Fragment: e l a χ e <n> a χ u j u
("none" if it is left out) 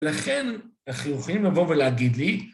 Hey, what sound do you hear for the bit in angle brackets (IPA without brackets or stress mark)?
n